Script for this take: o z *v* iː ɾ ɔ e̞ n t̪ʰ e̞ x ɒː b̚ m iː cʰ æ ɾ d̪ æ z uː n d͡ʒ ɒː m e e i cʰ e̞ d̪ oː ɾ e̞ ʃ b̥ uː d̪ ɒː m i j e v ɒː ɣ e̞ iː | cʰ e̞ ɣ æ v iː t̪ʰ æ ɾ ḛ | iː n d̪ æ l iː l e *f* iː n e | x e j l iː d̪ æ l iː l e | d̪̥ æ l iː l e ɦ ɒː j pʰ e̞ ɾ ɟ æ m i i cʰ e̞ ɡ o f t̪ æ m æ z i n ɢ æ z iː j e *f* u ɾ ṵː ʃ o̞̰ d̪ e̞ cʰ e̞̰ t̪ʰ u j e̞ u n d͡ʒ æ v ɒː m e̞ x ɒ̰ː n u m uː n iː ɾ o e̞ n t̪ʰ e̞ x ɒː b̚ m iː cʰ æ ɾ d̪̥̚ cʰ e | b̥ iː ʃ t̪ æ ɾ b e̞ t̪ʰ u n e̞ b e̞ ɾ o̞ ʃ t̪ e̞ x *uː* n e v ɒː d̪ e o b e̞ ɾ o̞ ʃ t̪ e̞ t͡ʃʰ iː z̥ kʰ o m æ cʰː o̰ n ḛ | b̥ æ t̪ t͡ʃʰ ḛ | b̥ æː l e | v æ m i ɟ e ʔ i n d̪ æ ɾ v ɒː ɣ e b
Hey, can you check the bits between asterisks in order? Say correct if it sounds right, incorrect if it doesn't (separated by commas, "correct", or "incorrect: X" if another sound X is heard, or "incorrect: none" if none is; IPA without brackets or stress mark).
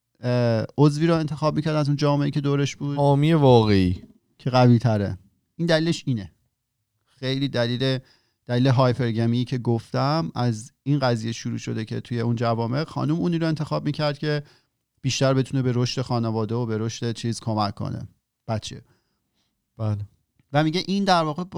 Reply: correct, incorrect: ʃ, incorrect: ʃ, incorrect: ɒː